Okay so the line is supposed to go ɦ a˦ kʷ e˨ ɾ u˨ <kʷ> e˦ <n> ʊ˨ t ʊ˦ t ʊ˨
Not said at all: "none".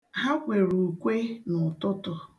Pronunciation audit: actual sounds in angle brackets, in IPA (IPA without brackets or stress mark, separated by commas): kʷ, n